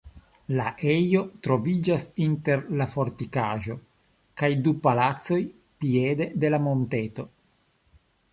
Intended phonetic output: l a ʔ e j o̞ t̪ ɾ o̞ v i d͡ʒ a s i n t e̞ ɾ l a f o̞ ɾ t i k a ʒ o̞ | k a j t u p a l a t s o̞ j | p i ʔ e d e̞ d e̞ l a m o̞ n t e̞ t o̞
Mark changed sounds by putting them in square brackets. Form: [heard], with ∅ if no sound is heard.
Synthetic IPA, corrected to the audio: l a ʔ e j o̞ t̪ ɾ o̞ v i d͡ʒ a s i n t e̞ ɾ l a f o̞ ɾ t i k a ʒ o̞ | k a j [d] u p a l a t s o̞ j | p i [∅] e d e̞ d e̞ l a m o̞ n t e̞ t o̞